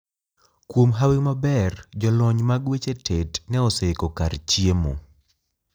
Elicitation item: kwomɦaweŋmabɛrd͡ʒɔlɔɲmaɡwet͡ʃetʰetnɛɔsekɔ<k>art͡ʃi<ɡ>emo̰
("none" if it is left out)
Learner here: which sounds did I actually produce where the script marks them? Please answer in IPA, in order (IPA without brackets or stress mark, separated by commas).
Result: k, none